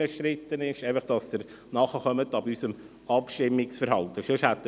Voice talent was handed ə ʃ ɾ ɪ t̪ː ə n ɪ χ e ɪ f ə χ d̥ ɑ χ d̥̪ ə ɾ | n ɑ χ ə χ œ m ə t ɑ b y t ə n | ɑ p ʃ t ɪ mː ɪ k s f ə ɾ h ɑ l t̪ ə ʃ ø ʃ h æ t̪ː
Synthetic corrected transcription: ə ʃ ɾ ɪ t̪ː ə n ɪ ʃ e ɪ f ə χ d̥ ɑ s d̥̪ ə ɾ | n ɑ χ ə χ œ m ə t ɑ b y s ə m | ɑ p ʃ t ɪ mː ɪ k s f ə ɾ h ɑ l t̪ ə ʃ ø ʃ h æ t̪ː